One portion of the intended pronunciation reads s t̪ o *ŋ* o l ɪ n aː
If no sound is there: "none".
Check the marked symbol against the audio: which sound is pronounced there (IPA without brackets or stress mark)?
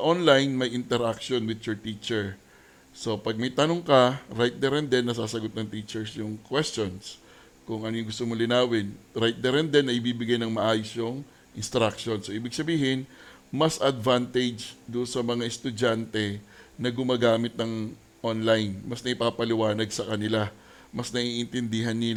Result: m